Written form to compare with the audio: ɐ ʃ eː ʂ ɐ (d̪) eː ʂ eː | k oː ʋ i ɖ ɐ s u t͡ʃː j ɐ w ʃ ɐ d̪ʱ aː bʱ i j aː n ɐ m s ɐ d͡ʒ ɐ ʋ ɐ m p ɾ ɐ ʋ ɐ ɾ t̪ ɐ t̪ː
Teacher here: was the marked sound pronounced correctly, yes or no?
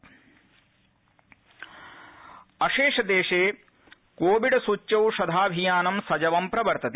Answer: yes